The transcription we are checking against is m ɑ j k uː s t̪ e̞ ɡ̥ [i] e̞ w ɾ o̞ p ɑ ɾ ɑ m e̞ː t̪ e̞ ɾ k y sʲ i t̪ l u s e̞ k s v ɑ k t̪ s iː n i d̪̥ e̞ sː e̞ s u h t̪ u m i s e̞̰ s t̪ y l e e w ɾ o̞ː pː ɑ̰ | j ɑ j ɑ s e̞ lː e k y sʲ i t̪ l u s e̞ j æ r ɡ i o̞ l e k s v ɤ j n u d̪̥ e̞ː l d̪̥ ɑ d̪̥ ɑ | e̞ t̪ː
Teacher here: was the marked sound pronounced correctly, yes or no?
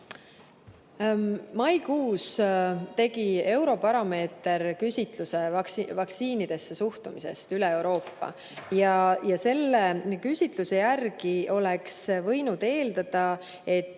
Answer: yes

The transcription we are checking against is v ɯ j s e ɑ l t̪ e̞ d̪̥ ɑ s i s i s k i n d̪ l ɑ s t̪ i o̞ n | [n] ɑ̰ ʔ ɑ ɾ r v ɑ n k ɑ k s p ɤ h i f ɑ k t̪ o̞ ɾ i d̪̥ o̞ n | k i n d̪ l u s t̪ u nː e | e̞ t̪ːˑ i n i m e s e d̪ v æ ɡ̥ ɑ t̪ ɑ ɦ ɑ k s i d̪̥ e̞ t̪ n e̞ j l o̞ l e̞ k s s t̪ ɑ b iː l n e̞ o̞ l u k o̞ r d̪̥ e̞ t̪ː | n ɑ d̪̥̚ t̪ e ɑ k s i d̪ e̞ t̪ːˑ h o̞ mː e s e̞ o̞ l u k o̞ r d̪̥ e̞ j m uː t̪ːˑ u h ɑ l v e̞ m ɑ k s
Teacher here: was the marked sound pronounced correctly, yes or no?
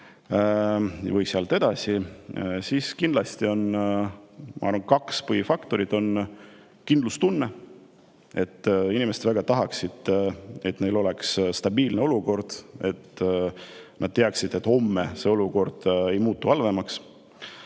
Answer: no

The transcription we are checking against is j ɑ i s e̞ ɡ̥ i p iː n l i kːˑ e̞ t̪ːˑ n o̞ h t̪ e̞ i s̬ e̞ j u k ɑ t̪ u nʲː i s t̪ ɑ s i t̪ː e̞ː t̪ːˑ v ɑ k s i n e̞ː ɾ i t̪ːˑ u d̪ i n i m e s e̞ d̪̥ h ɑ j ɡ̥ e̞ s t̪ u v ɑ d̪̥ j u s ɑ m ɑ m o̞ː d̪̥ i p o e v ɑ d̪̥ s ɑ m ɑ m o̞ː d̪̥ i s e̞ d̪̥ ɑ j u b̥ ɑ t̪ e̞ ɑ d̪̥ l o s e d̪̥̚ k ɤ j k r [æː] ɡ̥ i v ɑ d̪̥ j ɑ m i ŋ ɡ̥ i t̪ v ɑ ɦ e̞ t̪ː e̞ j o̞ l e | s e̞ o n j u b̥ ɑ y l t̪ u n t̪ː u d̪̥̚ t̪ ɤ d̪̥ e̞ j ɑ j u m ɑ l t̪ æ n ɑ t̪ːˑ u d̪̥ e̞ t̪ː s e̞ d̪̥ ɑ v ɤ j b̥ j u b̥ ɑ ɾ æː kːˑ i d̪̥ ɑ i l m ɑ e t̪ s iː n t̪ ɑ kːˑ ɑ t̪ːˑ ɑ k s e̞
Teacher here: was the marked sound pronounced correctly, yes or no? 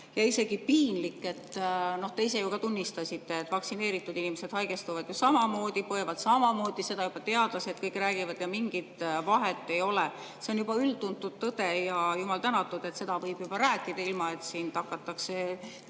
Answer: yes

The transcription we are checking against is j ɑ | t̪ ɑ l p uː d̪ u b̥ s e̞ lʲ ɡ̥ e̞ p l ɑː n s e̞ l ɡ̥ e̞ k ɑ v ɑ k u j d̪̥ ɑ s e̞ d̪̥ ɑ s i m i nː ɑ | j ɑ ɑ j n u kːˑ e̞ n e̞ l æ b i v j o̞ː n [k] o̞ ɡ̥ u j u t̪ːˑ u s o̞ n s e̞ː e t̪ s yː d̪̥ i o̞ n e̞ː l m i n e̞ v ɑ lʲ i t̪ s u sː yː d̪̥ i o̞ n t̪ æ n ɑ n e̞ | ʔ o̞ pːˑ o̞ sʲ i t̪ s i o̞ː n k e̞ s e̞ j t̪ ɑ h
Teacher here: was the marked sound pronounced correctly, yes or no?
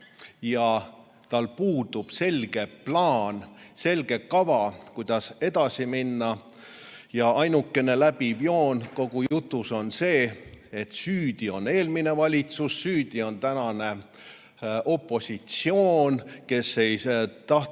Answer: yes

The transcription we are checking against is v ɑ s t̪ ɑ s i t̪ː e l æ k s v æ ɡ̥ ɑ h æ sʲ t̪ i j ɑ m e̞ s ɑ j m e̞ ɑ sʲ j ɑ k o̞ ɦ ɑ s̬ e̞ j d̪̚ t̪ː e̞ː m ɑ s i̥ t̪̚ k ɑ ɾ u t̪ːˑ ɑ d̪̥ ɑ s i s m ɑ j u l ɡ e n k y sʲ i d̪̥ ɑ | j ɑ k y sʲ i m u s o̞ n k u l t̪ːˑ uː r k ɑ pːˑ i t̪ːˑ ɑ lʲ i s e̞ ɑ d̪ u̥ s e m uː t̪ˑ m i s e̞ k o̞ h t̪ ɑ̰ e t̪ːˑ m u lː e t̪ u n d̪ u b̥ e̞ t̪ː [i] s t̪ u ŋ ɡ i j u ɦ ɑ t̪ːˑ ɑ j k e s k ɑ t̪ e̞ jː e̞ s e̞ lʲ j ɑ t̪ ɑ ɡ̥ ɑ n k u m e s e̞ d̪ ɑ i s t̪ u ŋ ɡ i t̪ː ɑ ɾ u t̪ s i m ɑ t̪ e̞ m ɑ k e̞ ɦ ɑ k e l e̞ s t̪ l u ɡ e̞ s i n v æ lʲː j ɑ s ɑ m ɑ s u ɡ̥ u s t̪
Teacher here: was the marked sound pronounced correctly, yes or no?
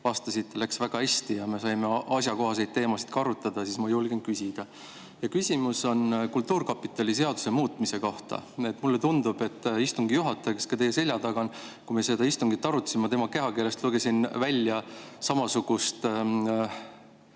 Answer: yes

